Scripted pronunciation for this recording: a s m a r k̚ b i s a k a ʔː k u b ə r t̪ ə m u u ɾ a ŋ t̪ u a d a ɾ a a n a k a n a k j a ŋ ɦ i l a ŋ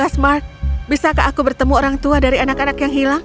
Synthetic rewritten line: a s m a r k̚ b i s a k a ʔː k u b ə r t̪ ə m u o ɾ a ŋ t̪ u a d a ɾ i a n a k a n a k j a ŋ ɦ i l a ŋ